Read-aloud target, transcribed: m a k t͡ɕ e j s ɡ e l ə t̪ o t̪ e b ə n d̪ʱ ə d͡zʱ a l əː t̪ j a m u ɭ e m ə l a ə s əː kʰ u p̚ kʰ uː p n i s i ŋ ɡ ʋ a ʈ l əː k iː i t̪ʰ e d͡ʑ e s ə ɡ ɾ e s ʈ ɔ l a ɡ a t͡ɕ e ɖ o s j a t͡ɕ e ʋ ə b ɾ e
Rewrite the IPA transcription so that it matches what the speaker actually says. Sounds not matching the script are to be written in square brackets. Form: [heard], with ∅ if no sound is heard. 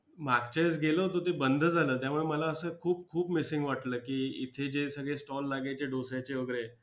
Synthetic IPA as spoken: m a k t͡ɕ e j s ɡ e l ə t̪ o t̪ e b ə n d̪ʱ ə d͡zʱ a l əː t̪ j a m u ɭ e m ə l a ə s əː kʰ [uː] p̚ kʰ uː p [m] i s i ŋ ɡ ʋ a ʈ l əː k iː i t̪ʰ e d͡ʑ e s ə ɡ [ɭ] e s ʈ ɔ [lː] a ɡ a t͡ɕ e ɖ o s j a t͡ɕ e ʋ ə [ɡ] ɾ e

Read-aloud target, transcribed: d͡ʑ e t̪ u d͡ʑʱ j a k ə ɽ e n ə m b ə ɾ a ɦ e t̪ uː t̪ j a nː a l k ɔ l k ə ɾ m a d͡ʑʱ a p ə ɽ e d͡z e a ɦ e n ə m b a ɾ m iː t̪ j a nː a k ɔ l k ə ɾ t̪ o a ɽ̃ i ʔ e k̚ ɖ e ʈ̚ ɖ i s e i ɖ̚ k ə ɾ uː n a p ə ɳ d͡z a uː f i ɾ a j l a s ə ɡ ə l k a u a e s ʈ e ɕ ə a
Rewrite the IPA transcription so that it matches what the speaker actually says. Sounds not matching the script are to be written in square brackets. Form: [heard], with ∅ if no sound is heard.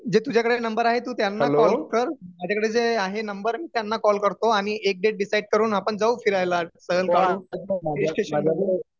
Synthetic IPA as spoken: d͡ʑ e t̪ u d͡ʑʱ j a k ə ɽ e n ə m b ə ɾ a ɦ e t̪ uː t̪ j a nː a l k ɔ l k ə ɾ m a d͡ʑʱ a [k] ə ɽ e d͡z e a ɦ e n ə m b [ə] ɾ m iː t̪ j a nː a k ɔ l k ə ɾ t̪ o a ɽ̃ i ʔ e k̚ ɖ e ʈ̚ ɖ i s [a] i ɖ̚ k ə ɾ uː n a p ə ɳ d͡z a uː f i ɾ a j l a s ə ɡ ə l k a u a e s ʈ e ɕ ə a

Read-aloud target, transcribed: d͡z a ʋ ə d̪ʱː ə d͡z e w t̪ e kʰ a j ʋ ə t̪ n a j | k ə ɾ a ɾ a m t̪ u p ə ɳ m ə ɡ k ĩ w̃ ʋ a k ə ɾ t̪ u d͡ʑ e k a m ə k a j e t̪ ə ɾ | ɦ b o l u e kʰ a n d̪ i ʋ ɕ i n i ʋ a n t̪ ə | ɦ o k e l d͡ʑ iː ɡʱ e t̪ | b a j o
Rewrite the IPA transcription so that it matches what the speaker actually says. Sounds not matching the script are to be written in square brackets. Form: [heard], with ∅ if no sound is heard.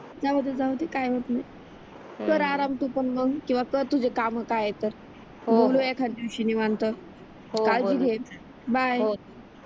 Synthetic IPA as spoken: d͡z a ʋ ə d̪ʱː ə d͡z [a] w t̪ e [k] a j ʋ ə t̪ n a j | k ə ɾ a ɾ a m t̪ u p ə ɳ m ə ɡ k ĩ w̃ ʋ a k ə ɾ t̪ u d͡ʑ e k a m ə k a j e t̪ ə ɾ | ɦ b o l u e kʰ a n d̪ i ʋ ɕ i n i ʋ a n t̪ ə | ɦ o k [a] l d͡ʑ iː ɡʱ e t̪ | b a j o

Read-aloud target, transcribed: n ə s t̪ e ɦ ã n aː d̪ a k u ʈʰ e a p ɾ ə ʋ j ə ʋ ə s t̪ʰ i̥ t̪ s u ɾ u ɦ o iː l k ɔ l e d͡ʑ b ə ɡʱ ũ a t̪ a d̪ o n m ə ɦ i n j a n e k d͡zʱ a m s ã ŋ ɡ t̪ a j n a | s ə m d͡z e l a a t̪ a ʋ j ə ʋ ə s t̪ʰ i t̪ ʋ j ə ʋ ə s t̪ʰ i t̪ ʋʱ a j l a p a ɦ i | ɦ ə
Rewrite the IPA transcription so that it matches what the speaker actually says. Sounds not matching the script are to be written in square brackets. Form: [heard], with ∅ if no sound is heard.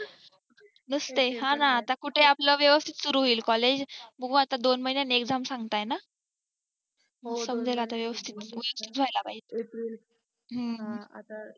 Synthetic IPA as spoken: n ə s t̪ e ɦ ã n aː [t̪] a k u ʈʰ e a p [l] ə ʋ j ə ʋ ə s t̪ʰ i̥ t̪ s u ɾ u ɦ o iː l k ɔ l e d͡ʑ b ə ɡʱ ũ a t̪ a d̪ o n m ə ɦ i n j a n e k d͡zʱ a m s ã ŋ ɡ t̪ a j n a | s ə m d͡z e l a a t̪ a ʋ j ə ʋ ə s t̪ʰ i t̪ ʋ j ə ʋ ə s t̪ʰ i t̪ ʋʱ a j l a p a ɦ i | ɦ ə

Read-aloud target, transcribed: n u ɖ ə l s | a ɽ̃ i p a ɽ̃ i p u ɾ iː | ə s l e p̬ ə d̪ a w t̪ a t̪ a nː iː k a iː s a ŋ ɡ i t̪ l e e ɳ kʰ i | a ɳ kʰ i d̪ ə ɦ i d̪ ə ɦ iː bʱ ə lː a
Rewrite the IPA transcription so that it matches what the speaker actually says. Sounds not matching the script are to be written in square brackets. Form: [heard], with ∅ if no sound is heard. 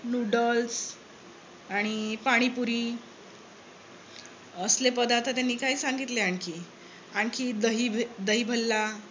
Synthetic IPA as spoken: n u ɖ ə l s | a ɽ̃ i p a ɽ̃ i p u ɾ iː | ə s l e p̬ ə d̪ a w t̪ a t̪ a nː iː k a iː s a ŋ ɡ i t̪ l e [a] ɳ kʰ i | a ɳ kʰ i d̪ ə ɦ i d̪ ə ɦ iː bʱ ə lː a

